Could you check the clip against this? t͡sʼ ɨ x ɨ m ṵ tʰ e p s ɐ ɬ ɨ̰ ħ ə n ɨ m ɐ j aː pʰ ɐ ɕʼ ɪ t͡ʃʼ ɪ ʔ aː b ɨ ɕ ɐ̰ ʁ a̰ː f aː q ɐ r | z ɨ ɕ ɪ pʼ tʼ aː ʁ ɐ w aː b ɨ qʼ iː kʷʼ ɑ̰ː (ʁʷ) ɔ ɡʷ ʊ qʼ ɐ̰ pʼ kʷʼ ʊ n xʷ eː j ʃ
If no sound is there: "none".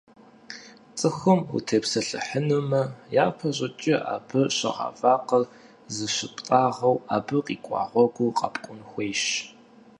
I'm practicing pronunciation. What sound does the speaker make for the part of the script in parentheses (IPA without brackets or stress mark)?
ʁʷ